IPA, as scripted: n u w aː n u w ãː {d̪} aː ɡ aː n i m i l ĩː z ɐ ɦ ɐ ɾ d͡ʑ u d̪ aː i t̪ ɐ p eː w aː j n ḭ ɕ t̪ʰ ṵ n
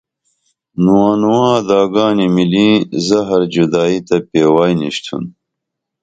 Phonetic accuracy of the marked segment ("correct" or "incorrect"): correct